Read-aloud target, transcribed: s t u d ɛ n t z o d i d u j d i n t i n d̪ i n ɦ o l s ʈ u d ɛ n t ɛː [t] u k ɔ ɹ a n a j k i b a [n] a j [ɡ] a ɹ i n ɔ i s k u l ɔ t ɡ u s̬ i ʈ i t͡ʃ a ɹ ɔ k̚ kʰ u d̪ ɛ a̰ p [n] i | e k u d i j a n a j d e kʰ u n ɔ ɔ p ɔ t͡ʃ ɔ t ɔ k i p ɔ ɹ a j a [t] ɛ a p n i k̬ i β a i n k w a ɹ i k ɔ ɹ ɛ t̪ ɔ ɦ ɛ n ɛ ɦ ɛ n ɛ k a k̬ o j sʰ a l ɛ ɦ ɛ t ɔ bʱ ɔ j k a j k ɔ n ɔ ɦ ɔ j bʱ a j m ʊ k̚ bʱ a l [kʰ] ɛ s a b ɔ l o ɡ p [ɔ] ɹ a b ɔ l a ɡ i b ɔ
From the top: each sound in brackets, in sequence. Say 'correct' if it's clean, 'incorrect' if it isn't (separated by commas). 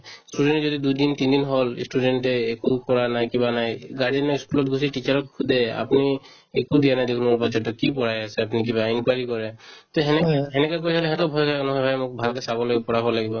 incorrect, correct, correct, correct, incorrect, incorrect, correct